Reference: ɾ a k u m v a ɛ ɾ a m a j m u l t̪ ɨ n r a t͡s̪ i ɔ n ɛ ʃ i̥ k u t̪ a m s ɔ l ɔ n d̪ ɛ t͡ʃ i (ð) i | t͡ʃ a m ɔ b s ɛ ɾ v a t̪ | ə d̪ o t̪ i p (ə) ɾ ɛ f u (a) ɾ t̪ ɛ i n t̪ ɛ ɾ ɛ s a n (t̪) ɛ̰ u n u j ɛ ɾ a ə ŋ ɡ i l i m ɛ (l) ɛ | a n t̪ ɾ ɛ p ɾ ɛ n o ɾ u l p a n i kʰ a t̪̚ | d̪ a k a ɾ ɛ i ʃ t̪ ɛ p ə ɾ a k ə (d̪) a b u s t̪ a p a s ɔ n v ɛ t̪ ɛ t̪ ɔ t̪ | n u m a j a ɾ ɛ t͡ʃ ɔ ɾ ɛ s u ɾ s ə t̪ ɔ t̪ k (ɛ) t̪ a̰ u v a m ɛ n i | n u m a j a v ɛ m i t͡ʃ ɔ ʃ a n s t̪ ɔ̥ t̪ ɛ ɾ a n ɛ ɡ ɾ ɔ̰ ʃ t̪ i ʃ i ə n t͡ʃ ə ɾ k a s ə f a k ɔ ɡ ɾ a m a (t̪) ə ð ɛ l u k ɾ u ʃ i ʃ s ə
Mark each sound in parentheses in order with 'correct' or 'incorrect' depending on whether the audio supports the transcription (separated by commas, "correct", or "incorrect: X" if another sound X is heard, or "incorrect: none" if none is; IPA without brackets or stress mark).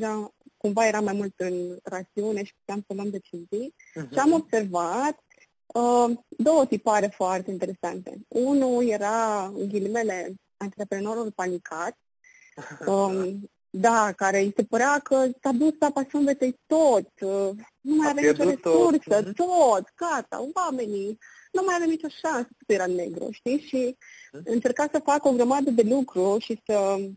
incorrect: z, incorrect: a, correct, correct, correct, incorrect: t̪, incorrect: a, incorrect: d̪